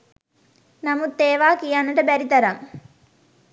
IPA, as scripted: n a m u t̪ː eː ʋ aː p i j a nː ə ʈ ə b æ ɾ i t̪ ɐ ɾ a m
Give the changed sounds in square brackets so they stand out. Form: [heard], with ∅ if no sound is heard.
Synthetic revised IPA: n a m u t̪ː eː ʋ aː [k] i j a nː ə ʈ ə b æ ɾ i t̪ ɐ ɾ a [ŋ]